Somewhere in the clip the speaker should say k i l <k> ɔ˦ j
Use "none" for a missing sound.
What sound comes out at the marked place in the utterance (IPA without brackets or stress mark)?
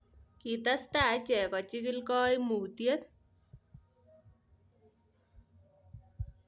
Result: k